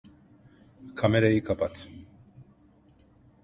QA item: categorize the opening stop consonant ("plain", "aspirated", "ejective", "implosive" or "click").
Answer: aspirated